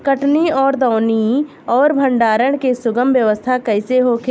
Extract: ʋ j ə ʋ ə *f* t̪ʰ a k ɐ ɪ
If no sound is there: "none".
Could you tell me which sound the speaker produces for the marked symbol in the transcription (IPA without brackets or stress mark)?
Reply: s